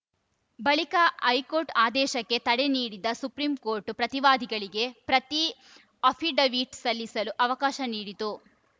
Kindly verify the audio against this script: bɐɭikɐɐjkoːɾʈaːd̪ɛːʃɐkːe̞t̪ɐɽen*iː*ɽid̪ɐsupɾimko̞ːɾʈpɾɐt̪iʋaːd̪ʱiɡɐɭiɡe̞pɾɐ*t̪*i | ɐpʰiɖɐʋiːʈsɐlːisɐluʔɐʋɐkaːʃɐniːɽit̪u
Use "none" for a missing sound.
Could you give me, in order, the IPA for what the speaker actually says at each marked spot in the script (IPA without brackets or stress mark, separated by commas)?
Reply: iː, t̪